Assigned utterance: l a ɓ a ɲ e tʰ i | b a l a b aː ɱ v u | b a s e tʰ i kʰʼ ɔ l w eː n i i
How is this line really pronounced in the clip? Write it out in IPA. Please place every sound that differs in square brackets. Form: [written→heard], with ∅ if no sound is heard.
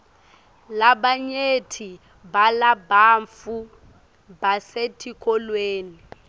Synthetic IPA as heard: l a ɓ a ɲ e tʰ i | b a l a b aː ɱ [v→f] u | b a s e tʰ i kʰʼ ɔ l w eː n i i